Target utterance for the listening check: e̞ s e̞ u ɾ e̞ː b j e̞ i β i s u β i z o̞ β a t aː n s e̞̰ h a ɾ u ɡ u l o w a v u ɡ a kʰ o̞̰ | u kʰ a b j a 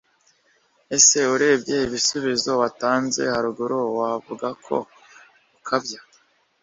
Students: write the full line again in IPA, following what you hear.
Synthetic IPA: e̞ s e̞ u ɾ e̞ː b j e̞ i β i s u β i z o̞ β a t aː n z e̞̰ h a ɾ u ɡ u ɾ o w a v u ɡ a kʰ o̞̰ | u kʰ a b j a